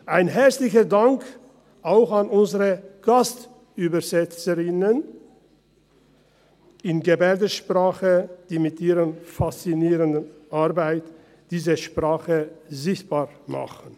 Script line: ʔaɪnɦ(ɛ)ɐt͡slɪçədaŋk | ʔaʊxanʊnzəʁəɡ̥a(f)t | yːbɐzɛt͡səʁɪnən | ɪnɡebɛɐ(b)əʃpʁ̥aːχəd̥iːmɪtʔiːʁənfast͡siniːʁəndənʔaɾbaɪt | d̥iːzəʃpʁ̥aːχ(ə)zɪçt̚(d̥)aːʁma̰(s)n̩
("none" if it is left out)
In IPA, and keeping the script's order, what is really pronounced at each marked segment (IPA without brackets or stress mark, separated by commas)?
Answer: ɛ, s, d, ə, b̥, χ